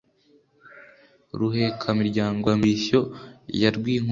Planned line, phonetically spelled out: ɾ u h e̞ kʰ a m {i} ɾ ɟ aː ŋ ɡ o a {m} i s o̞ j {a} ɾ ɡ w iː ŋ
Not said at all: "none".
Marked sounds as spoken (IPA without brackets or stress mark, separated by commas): i, m, a